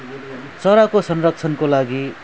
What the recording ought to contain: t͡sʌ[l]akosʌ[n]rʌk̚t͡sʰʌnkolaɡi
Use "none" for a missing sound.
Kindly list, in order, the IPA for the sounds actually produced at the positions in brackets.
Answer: ɾ, n

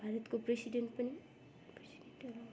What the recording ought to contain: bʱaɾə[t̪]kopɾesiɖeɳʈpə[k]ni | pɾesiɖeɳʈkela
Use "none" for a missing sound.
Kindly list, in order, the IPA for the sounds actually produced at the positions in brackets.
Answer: t̪, none

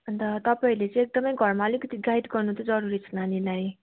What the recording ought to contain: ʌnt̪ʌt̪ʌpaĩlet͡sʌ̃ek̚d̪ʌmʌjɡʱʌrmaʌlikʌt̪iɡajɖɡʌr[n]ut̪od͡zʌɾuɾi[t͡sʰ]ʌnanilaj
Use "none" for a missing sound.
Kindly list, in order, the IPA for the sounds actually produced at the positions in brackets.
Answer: n, t͡sʰ

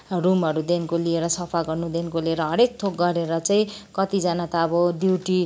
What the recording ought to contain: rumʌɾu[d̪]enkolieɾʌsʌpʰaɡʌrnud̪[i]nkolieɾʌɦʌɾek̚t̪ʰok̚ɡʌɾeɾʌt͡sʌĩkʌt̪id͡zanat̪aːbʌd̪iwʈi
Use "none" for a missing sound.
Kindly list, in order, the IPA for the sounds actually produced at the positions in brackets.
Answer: d̪, e

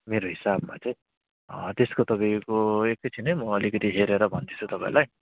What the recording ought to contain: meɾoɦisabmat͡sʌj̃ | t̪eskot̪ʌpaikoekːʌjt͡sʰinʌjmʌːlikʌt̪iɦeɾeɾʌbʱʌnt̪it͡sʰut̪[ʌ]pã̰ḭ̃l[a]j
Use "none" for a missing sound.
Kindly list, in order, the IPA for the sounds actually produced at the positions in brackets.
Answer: ʌ, a

